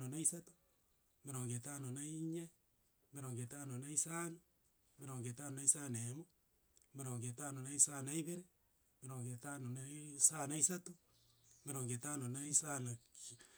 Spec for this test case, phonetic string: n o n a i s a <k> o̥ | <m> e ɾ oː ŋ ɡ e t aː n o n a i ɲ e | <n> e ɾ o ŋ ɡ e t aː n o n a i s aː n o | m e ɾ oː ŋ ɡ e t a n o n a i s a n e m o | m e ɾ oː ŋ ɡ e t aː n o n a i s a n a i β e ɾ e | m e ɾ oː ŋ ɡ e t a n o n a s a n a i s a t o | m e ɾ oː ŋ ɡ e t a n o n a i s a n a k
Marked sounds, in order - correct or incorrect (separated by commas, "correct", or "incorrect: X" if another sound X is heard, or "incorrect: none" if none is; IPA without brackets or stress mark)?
incorrect: t, correct, incorrect: m